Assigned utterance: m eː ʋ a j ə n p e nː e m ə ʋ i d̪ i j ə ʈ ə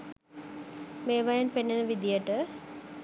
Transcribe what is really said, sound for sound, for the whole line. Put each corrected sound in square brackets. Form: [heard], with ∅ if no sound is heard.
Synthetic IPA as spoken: m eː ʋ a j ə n p e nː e [n] ə ʋ i d̪ i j ə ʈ ə